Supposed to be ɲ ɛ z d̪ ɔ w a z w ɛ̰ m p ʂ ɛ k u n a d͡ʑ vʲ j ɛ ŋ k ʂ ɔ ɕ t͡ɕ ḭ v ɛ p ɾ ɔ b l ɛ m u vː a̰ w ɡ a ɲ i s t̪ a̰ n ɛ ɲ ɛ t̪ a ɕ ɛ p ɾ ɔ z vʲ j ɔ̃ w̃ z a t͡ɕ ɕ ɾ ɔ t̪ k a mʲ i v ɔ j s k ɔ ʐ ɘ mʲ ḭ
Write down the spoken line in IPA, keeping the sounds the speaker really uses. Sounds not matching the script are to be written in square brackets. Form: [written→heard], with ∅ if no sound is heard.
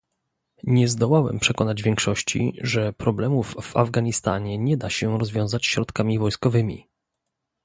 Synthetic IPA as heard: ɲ ɛ z d̪ ɔ w a [z→∅] w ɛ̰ m p ʂ ɛ k [u→ɔ] n a d͡ʑ vʲ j ɛ ŋ k ʂ ɔ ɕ t͡ɕ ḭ [v→ʐ] ɛ p ɾ ɔ b l ɛ m u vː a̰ [w→v] ɡ a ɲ i s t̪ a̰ [n→ɲ] ɛ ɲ ɛ [t̪→d̪] a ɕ ɛ [p→∅] ɾ ɔ z vʲ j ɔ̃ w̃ z a t͡ɕ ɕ ɾ ɔ t̪ k a mʲ i v ɔ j s k ɔ [ʐ→v] ɘ mʲ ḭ

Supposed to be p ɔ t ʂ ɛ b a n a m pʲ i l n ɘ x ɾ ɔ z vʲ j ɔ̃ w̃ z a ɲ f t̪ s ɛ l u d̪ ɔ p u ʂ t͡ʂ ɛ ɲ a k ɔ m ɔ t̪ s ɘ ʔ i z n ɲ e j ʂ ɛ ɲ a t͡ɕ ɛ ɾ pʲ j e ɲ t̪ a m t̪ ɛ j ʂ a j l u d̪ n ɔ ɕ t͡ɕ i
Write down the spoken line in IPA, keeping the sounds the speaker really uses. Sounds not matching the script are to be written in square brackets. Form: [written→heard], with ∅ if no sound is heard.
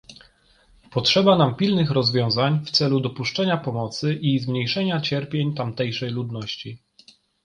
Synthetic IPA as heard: p ɔ t ʂ ɛ b a n a m pʲ i l n ɘ x ɾ ɔ z vʲ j ɔ̃ w̃ z a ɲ f t̪ s ɛ l u d̪ ɔ p u ʂ t͡ʂ ɛ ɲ a [k→p] ɔ m ɔ t̪ s ɘ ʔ i z [n→m] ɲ e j ʂ ɛ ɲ a t͡ɕ ɛ ɾ pʲ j e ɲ t̪ a m t̪ ɛ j ʂ [a→ɛ] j l u d̪ n ɔ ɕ t͡ɕ i

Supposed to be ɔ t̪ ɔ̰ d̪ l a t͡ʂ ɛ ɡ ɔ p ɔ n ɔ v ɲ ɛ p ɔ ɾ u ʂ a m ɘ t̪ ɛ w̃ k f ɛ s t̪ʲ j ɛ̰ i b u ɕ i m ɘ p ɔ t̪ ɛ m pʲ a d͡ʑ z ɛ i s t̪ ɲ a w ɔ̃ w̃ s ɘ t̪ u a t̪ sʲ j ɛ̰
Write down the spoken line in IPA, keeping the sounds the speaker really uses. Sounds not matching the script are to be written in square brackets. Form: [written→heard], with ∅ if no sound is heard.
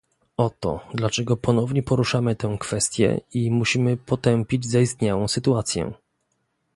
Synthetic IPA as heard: ɔ t̪ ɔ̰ d̪ l a t͡ʂ ɛ ɡ ɔ p ɔ n ɔ v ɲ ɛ p ɔ ɾ u ʂ a m ɘ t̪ ɛ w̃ k f ɛ s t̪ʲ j ɛ̰ i [b→m] u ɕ i m ɘ p ɔ t̪ ɛ m pʲ [a→i] d͡ʑ z [ɛ→a] i s t̪ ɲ a w ɔ̃ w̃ s ɘ t̪ u a t̪ sʲ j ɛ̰

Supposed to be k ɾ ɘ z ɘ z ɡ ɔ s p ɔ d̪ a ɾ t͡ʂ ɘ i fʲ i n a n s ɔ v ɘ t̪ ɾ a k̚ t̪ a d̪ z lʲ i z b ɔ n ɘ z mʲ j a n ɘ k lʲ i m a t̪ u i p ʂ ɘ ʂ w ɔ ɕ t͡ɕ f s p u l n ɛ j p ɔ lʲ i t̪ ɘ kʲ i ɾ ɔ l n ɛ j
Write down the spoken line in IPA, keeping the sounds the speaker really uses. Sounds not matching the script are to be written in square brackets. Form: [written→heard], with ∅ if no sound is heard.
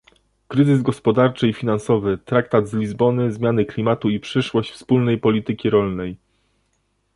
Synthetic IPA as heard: k ɾ ɘ z ɘ z ɡ ɔ s p ɔ d̪ a ɾ t͡ʂ ɘ i fʲ i n a n s ɔ v ɘ t̪ ɾ a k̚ t̪ a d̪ z lʲ i z b ɔ n ɘ z mʲ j a n ɘ k lʲ i m a t̪ u i p ʂ ɘ ʂ w ɔ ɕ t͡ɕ f s p u l n ɛ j p ɔ lʲ i t̪ ɘ kʲ i ɾ ɔ l n ɛ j

